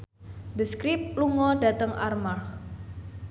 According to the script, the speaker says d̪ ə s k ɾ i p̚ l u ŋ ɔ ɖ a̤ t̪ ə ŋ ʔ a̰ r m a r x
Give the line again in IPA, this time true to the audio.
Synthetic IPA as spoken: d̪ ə s k ɾ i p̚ l u ŋ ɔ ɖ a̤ t̪ ə ŋ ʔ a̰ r m a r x